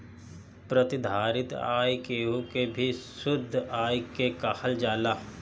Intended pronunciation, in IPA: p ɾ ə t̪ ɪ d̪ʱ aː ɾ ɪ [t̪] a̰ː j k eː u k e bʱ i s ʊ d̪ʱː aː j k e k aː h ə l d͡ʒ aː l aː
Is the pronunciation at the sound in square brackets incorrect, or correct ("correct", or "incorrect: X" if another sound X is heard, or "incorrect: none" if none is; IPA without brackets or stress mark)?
correct